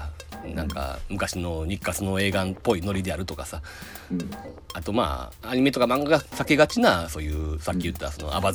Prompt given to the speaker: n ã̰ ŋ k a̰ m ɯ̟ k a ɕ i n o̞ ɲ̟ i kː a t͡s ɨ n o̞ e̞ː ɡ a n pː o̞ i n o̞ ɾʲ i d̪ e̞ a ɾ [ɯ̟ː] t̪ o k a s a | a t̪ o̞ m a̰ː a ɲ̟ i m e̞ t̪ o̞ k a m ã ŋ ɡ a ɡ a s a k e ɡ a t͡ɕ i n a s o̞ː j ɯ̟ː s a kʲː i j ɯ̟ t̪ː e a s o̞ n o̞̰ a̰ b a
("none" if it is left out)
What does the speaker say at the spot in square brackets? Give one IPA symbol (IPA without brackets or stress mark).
ɯ̟